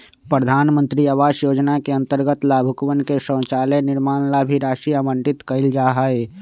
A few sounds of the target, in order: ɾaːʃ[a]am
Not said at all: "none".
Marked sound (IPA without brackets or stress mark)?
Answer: i